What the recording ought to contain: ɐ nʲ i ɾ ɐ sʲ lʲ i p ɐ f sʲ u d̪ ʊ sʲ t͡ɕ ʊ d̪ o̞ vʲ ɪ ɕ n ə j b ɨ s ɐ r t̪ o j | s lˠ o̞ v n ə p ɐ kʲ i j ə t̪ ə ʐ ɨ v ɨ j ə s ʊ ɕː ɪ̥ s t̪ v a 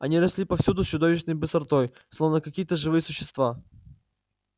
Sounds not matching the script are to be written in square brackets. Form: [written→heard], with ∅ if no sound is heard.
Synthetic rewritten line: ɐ nʲ i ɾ ɐ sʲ lʲ i p ɐ f sʲ u d̪ ʊ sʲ t͡ɕ ʊ d̪ o̞ vʲ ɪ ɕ n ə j b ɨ s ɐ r t̪ o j | s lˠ o̞ v n ə [p→k] ɐ kʲ i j ə t̪ ə ʐ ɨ v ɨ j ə s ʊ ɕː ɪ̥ s t̪ v a